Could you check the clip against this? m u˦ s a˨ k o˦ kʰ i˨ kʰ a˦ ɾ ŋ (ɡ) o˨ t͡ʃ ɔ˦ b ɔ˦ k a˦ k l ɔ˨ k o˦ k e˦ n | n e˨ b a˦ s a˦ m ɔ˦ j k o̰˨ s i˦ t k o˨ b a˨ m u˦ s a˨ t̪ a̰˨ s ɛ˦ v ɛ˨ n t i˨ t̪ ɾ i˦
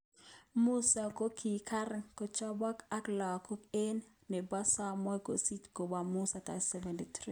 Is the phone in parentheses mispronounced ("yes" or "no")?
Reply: yes